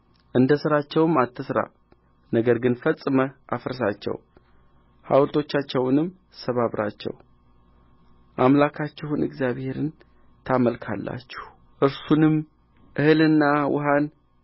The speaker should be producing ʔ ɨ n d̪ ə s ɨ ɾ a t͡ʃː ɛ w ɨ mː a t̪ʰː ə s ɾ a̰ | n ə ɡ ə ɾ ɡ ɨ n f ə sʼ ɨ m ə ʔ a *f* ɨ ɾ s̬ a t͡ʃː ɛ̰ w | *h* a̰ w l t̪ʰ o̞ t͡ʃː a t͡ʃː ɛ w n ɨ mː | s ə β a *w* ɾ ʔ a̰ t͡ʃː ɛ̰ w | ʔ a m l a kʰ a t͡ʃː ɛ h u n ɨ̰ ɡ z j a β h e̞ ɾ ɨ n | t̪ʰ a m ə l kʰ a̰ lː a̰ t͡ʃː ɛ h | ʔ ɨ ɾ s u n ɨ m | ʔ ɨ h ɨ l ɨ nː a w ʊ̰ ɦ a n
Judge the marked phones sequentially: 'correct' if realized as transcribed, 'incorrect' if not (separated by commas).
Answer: correct, correct, incorrect